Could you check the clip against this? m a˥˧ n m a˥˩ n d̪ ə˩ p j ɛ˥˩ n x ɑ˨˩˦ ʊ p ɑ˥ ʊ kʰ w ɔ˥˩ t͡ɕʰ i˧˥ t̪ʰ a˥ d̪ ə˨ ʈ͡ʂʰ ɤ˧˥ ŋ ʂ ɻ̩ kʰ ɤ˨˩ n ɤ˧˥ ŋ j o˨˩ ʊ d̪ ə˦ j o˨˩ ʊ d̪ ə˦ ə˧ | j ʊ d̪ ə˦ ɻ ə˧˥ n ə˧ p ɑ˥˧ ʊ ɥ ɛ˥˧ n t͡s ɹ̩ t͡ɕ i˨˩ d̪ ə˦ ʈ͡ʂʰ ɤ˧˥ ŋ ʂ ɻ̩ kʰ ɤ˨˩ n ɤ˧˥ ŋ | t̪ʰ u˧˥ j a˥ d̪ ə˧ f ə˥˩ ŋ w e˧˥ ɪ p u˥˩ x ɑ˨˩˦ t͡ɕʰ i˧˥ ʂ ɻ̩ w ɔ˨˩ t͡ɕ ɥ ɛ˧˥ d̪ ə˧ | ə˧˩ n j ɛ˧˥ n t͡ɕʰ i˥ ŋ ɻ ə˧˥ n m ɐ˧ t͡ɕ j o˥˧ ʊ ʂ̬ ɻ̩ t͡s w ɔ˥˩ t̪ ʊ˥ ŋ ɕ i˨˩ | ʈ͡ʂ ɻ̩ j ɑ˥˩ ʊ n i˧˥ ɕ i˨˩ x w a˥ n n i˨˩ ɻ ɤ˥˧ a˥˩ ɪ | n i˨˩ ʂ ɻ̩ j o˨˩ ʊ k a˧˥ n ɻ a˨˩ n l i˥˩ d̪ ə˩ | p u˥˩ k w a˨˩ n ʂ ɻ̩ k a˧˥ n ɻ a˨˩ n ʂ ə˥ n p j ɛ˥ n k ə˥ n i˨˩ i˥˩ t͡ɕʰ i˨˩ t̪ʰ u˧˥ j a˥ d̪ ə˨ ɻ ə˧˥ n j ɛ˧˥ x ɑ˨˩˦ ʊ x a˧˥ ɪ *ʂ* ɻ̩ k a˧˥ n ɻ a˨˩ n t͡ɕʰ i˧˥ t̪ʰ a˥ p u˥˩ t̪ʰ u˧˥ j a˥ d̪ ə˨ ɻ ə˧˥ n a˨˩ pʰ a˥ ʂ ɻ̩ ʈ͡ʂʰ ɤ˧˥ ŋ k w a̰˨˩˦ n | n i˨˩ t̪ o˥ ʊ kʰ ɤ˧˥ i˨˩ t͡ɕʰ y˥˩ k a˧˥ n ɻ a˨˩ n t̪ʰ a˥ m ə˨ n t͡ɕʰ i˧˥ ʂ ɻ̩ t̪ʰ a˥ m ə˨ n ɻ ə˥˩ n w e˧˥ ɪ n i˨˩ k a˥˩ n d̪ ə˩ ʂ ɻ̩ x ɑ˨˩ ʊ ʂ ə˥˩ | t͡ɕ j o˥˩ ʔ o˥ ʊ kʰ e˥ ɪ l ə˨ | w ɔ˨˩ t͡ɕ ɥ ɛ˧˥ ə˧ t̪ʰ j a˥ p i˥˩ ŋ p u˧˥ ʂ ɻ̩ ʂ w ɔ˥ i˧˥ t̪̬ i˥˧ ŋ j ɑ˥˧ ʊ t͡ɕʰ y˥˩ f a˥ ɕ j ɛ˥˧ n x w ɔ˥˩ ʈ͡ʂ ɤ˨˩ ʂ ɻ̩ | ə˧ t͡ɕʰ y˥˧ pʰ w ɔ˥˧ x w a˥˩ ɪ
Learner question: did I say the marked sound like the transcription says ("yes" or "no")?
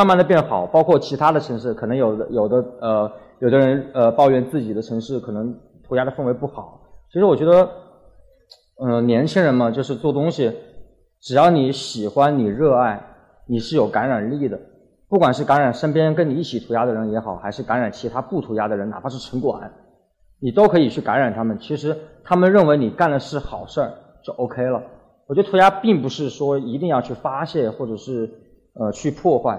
yes